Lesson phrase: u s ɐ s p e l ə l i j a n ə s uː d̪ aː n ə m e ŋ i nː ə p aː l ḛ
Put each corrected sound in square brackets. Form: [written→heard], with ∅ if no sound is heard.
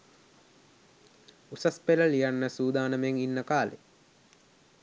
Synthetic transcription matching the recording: u s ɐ s p e l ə l i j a [n→nː] ə s uː d̪ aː n ə m e ŋ i nː ə [p→k] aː l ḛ